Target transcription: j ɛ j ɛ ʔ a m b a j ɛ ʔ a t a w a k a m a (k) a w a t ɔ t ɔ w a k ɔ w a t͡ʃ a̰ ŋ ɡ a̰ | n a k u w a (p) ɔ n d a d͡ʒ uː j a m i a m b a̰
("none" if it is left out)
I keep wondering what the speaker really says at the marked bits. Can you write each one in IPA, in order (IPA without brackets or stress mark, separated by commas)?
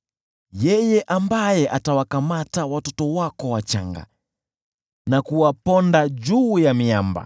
t, p